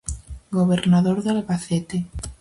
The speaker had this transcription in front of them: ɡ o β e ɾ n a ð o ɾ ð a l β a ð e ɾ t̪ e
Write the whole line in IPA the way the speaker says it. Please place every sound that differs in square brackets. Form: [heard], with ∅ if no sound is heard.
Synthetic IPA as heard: ɡ o β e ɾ n a ð o ɾ ð a l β a [θ] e [∅] t̪ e